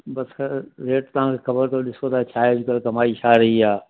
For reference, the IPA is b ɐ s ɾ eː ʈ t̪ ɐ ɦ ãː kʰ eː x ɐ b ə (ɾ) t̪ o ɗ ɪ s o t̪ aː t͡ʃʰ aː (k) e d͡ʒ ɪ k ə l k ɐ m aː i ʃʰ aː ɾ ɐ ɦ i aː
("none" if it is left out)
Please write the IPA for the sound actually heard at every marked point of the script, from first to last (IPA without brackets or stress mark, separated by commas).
ɾ, none